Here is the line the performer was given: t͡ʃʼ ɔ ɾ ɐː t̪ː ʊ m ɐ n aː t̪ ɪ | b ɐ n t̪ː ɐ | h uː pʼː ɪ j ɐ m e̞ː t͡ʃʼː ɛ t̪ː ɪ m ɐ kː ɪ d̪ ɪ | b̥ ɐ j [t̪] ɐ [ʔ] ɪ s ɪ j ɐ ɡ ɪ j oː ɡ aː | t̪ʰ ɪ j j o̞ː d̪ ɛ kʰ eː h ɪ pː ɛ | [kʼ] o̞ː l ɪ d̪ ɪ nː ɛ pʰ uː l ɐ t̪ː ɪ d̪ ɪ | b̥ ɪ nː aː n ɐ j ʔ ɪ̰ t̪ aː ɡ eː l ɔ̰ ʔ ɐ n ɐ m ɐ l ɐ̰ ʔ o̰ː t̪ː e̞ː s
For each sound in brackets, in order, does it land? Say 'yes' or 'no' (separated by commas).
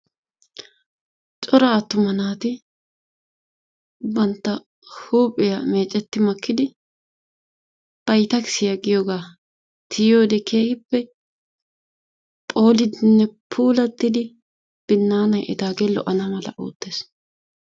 yes, no, no